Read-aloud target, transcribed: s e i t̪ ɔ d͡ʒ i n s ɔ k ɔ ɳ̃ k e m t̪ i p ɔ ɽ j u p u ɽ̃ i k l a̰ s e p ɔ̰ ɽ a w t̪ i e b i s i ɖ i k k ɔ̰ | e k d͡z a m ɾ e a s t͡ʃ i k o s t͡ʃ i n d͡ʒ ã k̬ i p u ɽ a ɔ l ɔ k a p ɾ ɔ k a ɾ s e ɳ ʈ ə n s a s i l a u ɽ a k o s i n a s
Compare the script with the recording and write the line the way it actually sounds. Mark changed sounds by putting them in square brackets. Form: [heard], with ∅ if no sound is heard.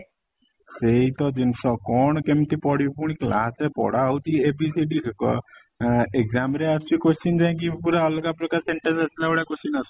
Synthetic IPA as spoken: s e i t̪ ɔ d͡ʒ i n s ɔ k ɔ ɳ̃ k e m t̪ i p ɔ ɽ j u p u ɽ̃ i k l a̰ s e p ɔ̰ ɽ a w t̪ i e b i s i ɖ i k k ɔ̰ | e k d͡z a m ɾ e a s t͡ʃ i k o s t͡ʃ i n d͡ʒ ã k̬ i p u [ɾ] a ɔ l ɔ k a p ɾ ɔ k a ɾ s e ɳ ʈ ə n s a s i l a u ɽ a k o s i n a s

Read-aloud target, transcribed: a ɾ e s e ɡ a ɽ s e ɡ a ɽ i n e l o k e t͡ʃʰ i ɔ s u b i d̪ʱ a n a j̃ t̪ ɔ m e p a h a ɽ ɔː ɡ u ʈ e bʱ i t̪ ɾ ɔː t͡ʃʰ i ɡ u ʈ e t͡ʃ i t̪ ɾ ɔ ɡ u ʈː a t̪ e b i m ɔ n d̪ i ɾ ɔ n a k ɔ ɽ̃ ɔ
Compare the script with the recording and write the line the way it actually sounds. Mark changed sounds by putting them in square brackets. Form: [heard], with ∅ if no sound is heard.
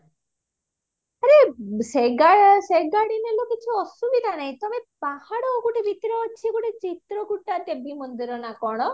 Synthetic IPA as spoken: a ɾ e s e ɡ a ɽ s e ɡ a ɽ i n e l o k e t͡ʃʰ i ɔ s u b i d̪ʱ a n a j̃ t̪ ɔ m e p a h a ɽ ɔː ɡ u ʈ e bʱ i t̪ ɾ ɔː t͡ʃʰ i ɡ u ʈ e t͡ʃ i t̪ ɾ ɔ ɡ u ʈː a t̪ e b i m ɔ n d̪ i ɾ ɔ n a k ɔ ɽ̃ ɔ

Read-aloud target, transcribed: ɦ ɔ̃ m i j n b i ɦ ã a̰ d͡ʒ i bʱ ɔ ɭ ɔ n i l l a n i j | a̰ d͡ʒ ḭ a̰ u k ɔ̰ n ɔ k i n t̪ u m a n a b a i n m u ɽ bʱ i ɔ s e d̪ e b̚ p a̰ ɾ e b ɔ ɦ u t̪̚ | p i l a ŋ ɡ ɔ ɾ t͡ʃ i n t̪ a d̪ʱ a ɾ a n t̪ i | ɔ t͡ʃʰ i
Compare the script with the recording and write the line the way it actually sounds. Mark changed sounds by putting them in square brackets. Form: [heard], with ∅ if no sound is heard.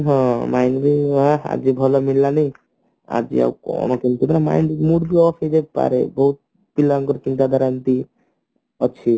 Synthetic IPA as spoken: ɦ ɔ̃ m [a] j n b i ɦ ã a̰ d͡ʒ i bʱ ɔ [l] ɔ [m] i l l a n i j | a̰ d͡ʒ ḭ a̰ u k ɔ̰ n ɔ k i n t̪ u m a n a [m] a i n m u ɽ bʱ i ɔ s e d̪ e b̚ p a̰ ɾ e b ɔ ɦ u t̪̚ | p i l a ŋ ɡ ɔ ɾ t͡ʃ i n t̪ a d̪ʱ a ɾ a n t̪ i | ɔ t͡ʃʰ i

